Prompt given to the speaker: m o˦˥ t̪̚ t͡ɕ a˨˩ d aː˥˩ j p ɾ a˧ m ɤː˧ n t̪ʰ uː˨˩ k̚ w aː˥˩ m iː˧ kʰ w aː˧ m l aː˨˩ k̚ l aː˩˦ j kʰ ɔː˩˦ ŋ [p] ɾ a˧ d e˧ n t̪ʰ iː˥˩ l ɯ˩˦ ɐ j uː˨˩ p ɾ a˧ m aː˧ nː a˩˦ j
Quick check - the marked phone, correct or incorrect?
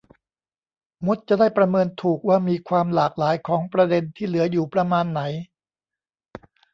correct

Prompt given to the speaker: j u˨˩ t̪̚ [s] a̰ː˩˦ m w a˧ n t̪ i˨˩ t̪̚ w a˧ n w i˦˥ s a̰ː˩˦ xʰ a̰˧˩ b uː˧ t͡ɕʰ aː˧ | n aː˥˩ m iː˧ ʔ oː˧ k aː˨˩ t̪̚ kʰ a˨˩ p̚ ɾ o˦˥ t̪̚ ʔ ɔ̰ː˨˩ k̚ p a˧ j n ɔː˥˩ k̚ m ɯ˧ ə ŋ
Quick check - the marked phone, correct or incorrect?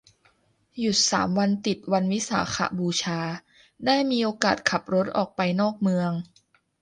correct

